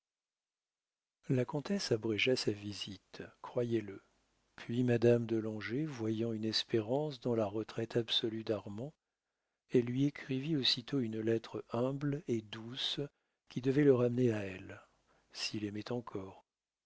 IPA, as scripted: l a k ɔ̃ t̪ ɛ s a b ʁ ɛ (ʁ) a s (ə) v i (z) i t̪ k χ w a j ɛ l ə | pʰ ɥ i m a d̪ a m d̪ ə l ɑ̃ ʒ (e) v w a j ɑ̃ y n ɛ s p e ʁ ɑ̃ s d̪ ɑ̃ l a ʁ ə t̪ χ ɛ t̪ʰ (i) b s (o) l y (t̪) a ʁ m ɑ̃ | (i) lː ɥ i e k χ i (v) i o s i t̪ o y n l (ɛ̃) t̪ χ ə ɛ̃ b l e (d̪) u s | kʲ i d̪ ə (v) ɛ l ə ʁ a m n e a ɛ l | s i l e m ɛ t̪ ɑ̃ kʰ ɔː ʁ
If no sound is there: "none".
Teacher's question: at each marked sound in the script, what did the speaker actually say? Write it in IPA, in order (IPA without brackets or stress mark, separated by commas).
ʒ, a, z, e, a, ɔ, d̪, ɛ, v, ɛ, d̪, v